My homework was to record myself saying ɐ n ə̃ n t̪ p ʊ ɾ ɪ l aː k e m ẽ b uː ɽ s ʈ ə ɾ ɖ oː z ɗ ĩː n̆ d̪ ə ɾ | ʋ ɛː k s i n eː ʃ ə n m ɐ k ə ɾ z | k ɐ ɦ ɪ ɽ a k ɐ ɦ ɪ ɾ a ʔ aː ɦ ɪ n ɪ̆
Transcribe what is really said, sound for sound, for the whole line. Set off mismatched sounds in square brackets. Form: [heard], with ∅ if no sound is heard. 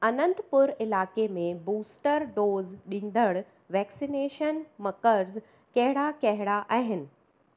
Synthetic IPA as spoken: ɐ n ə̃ n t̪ p ʊ ɾ ɪ l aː k e m ẽ b uː [∅] s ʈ ə ɾ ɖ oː z ɗ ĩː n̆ d̪ ə [ɽ] | ʋ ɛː k s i n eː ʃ ə n m ɐ k ə ɾ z | k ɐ ɦ ɪ ɽ a k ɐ ɦ ɪ [ɽ] a ʔ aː ɦ ɪ n ɪ̆